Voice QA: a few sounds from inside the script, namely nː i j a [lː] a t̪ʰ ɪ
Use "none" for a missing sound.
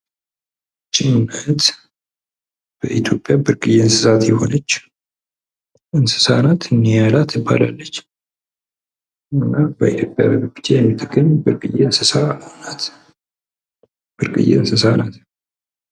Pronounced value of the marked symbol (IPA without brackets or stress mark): l